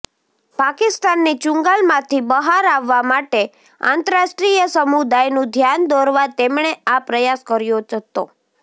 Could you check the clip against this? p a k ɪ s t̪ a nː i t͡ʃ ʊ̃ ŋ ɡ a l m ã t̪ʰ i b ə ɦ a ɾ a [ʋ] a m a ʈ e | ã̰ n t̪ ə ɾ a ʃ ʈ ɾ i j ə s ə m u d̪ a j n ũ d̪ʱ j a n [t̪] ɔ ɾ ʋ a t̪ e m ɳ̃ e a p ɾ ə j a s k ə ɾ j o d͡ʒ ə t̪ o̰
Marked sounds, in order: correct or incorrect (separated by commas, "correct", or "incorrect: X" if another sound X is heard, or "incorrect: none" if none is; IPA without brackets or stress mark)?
incorrect: ʋː, incorrect: d̪